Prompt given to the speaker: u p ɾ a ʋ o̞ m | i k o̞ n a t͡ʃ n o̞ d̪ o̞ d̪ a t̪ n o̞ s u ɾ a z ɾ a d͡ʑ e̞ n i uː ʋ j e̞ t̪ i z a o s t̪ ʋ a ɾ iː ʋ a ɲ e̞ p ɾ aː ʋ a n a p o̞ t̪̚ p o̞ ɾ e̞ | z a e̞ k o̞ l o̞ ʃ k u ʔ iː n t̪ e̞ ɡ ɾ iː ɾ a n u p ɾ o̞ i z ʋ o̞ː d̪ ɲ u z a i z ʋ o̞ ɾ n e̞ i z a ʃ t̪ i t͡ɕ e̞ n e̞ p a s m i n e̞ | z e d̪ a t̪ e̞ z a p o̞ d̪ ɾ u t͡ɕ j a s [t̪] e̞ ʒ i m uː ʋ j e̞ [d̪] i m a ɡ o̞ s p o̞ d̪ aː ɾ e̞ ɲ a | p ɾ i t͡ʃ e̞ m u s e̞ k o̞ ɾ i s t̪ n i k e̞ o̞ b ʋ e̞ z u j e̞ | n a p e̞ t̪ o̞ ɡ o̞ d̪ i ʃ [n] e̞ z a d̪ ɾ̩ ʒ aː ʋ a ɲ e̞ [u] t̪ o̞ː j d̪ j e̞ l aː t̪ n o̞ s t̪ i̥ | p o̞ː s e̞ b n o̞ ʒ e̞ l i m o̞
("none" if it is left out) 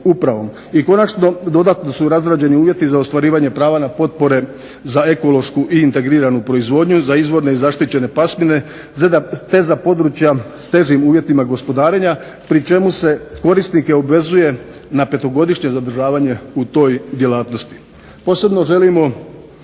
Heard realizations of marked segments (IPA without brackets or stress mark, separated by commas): t̪, t̪, ɲ, u